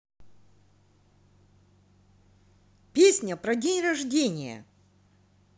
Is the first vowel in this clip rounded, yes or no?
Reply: no